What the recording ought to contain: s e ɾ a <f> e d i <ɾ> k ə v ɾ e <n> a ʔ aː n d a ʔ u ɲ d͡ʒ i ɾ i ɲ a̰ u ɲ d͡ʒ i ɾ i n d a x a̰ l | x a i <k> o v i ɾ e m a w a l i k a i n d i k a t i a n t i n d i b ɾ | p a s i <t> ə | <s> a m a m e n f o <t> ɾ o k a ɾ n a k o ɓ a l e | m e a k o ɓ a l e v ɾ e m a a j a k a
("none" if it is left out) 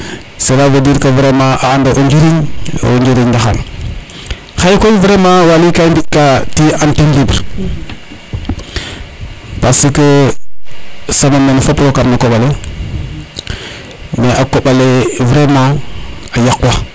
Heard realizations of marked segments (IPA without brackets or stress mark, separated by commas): v, ɾ, m, k, k, s, p